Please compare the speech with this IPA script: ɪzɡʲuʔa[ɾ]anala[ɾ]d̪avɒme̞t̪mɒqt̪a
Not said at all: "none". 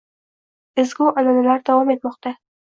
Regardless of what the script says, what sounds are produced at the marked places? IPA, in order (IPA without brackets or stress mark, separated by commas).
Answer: l, ɾ